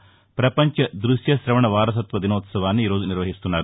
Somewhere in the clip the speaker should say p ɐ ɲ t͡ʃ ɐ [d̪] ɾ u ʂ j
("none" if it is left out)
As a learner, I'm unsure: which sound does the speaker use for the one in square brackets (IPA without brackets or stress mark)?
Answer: d̪